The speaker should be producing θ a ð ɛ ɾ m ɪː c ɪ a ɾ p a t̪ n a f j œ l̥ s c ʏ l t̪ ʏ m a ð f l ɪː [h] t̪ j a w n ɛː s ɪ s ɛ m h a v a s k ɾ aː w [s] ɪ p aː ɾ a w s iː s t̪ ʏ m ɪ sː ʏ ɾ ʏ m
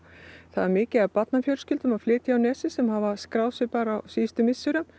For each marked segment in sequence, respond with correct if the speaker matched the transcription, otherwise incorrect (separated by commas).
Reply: incorrect, correct